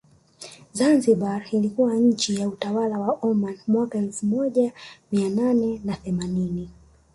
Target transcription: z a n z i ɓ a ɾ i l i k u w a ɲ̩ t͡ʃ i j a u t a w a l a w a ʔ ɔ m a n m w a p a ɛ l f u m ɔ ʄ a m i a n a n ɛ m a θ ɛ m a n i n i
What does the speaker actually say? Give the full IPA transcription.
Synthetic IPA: z a n z i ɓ a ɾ i l i k u w a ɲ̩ t͡ʃ i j a u t a w a l a w a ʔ ɔ m a n m w a k a ɛ l f u m ɔ ʄ a m i a n a n ɛ n a θ ɛ m a n i n i